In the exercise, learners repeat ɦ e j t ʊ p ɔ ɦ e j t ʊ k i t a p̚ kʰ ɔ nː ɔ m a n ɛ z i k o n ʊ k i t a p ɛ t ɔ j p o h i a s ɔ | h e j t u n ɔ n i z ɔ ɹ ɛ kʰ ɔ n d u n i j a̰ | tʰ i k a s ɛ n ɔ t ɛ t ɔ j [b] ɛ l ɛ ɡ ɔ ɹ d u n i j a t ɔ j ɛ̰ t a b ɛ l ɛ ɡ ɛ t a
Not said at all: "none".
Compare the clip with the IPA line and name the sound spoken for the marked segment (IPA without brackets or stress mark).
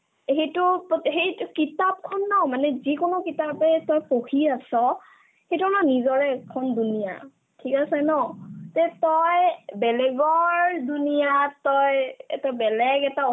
b